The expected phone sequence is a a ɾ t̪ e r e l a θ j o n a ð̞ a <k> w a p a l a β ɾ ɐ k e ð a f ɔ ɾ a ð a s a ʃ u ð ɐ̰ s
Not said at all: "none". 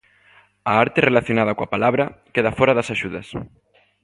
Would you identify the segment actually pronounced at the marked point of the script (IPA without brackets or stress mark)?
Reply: k